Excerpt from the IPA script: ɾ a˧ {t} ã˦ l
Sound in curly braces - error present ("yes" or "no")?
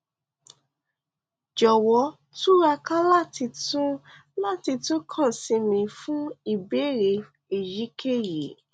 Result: yes